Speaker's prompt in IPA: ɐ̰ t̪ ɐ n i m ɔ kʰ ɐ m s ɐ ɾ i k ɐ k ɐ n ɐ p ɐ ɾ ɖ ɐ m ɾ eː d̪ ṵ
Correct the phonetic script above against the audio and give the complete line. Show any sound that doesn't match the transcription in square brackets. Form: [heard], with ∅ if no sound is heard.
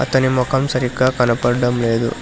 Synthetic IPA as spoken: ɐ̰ t̪ ɐ n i m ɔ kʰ ɐ m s ɐ ɾ i k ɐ k ɐ n ɐ p ɐ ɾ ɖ ɐ m [l] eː d̪ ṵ